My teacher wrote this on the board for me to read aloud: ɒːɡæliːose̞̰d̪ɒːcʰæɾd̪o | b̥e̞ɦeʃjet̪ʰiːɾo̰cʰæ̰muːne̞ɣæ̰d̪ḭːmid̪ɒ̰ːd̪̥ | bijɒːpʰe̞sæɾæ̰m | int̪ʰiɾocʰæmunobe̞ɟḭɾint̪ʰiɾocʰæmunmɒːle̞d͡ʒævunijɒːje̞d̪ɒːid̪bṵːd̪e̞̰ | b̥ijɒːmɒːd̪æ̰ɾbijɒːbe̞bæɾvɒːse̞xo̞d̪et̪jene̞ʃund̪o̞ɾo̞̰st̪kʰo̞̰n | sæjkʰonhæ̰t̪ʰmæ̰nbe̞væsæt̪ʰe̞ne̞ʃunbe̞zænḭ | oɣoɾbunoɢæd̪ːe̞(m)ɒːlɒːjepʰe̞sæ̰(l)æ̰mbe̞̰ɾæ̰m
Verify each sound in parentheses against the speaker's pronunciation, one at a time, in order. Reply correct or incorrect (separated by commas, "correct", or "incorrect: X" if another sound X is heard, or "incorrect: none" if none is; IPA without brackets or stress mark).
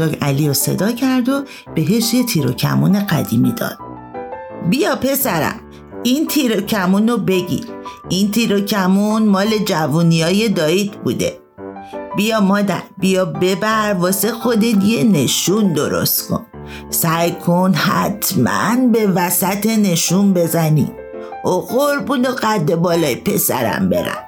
incorrect: b, incorrect: ɾ